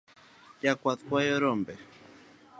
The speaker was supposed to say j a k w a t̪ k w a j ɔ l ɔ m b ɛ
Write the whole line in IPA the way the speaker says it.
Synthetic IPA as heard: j a k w a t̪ k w a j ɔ ɾ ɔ m b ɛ